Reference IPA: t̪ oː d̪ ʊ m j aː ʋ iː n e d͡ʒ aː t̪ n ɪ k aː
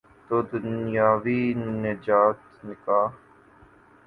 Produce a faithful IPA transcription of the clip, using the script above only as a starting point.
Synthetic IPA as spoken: t̪ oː d̪ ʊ n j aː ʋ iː n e d͡ʒ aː t̪ n ɪ k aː